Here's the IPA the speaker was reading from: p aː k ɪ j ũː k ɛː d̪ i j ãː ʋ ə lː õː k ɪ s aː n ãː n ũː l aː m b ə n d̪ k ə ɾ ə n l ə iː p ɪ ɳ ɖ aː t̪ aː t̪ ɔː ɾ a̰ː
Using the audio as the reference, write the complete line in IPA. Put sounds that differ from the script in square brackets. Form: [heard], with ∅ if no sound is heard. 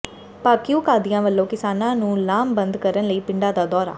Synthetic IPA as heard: p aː k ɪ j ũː k [aː] d̪ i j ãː ʋ ə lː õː k ɪ s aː n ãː n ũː l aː m b ə n d̪ k ə ɾ ə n l ə iː p ɪ ɳ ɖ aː [d̪] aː [d̪] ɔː ɾ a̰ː